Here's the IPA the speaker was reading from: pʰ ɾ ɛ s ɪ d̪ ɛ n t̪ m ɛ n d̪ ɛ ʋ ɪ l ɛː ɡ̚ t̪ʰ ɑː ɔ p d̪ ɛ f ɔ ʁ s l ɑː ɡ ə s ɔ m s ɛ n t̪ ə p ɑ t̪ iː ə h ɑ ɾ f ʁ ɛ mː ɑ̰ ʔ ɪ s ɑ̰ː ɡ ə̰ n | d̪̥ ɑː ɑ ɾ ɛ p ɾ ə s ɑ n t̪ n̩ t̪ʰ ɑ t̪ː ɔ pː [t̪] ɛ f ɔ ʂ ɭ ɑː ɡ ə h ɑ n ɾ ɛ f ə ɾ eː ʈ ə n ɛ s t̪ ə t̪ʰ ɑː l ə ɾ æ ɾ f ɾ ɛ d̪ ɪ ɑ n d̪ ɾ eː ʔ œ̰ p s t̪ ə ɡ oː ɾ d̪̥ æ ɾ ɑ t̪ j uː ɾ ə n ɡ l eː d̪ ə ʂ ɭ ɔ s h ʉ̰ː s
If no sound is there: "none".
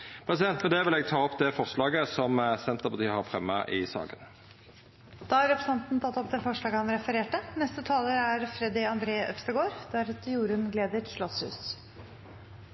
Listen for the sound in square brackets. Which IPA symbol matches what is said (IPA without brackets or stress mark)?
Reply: d̪